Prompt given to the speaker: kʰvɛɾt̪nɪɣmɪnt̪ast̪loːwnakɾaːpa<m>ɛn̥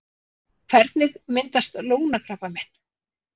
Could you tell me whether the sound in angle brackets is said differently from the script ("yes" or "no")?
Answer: no